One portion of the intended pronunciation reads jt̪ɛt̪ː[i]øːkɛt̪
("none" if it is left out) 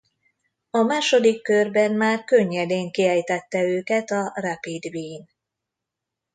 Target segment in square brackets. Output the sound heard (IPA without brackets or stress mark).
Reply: ɛ